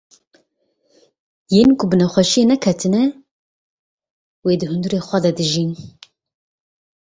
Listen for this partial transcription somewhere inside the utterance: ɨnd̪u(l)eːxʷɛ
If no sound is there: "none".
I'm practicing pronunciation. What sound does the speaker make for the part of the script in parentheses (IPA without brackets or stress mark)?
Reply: ɾ